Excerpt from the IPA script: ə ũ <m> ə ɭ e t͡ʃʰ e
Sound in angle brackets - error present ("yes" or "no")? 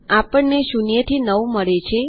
no